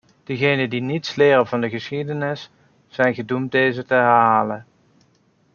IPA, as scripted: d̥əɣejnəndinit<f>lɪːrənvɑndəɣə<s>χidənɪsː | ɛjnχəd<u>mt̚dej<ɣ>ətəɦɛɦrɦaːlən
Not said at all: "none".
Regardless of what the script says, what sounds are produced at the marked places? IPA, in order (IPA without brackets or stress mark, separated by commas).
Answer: s, s, u, z